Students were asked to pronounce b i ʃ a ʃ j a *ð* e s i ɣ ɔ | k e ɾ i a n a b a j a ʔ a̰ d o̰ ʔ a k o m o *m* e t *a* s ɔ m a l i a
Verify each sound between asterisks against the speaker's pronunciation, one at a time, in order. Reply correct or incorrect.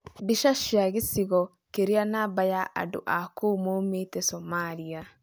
incorrect: ɣ, correct, incorrect: ɛ

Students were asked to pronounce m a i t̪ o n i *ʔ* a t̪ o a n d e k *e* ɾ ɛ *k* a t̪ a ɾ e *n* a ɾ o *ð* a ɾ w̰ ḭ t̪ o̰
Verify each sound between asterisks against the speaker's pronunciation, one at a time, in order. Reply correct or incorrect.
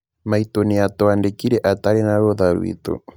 incorrect: none, incorrect: i, incorrect: ʔ, correct, correct

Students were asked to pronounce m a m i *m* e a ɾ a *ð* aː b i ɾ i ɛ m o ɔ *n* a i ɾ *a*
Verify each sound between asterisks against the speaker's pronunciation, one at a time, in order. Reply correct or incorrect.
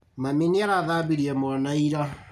incorrect: n, correct, correct, correct

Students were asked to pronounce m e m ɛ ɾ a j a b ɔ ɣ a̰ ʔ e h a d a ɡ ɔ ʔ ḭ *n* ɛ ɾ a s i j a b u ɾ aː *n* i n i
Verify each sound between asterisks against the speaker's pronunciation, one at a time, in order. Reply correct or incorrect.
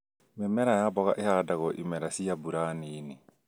incorrect: m, correct

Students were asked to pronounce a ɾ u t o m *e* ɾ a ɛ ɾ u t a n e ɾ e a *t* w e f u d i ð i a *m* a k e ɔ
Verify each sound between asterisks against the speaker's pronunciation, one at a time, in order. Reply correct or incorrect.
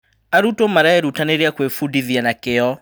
incorrect: a, incorrect: k, incorrect: n

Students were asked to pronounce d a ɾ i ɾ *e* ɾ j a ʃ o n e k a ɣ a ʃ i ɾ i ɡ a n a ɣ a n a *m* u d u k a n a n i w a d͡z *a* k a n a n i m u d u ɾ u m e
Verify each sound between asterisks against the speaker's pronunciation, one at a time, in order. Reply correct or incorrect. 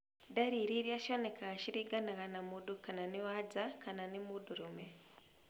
incorrect: i, correct, correct

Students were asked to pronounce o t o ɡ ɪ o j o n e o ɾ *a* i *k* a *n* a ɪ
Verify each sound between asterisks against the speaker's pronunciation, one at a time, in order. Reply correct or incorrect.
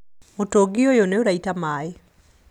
correct, incorrect: t, incorrect: m

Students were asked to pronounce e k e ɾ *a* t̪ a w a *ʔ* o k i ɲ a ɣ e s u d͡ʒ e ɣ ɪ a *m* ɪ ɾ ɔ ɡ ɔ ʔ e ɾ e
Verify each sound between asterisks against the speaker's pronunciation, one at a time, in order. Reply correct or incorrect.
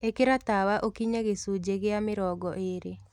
correct, correct, correct

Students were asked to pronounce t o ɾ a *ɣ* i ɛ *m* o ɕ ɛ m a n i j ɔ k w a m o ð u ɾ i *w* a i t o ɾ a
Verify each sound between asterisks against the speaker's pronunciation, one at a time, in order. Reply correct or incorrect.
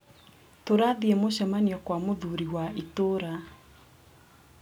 incorrect: ð, correct, correct

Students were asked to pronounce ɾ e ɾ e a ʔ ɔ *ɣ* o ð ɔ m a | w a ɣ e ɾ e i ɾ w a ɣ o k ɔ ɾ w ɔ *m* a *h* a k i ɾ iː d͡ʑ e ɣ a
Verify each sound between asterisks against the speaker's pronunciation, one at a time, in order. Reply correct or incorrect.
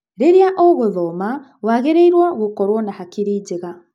correct, incorrect: n, correct

